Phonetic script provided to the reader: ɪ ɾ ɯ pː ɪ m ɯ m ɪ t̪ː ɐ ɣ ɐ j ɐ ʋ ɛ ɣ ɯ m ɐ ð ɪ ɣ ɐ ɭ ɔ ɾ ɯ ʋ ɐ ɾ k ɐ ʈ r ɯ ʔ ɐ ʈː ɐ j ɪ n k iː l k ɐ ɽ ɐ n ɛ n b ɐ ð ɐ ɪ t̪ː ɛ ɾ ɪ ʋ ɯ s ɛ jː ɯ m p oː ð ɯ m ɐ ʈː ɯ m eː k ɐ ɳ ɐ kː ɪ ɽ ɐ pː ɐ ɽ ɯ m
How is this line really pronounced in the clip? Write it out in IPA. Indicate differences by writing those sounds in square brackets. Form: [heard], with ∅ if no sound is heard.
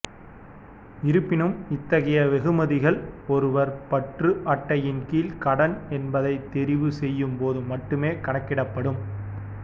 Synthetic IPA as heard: ɪ ɾ ɯ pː ɪ [n] ɯ m ɪ t̪ː ɐ ɣ ɐ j ɐ ʋ ɛ ɣ ɯ m ɐ ð ɪ ɣ ɐ ɭ ɔ ɾ ɯ ʋ ɐ ɾ [p] ɐ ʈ r ɯ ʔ ɐ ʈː ɐ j ɪ n k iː l k ɐ ɽ ɐ n ɛ n b ɐ ð ɐ ɪ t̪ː ɛ ɾ ɪ ʋ ɯ s ɛ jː ɯ m p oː ð ɯ m ɐ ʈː ɯ m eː k ɐ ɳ ɐ kː ɪ ɽ ɐ pː ɐ ɽ ɯ m